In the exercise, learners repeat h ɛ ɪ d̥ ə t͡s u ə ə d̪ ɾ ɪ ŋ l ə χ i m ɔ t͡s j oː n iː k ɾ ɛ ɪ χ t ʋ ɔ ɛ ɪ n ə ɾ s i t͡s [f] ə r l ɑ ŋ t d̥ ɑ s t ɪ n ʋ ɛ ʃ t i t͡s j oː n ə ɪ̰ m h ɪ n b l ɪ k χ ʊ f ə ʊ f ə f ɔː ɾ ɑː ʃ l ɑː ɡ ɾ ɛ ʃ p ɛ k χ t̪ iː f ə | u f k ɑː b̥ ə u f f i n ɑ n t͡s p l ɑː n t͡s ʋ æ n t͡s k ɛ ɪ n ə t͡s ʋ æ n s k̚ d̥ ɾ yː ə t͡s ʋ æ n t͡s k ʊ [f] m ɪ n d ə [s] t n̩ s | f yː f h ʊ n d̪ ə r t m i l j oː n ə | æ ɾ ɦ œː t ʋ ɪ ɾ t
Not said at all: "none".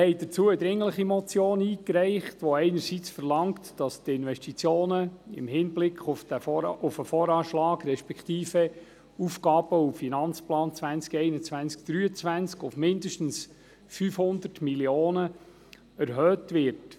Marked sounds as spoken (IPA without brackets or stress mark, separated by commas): f, f, ʃ